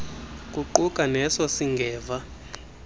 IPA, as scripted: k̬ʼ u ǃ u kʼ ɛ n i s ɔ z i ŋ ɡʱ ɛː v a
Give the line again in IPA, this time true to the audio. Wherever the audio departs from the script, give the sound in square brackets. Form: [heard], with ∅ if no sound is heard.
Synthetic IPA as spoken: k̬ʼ u ǃ u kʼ [a] n [ɛ] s ɔ [s] i ŋ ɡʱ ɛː v a